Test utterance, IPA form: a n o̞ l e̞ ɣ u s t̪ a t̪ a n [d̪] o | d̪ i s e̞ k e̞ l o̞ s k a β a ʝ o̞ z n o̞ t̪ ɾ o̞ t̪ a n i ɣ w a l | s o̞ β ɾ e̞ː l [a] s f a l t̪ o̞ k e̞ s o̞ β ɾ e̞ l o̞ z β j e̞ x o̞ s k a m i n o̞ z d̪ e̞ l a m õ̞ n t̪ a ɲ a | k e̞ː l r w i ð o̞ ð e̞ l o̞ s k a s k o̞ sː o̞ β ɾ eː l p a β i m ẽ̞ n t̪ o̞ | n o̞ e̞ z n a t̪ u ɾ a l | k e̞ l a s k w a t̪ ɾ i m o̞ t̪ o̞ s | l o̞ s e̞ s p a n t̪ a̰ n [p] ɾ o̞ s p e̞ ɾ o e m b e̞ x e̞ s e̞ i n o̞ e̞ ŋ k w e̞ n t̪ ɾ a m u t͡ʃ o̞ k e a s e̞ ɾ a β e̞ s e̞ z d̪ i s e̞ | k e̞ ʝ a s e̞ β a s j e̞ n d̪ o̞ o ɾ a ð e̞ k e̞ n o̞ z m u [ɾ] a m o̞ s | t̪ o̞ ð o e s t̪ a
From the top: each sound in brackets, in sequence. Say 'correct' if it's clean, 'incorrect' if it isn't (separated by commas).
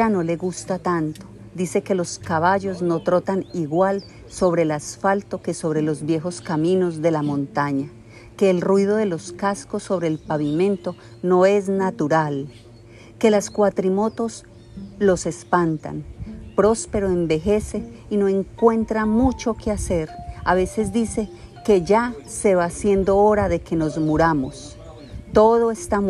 incorrect, correct, correct, correct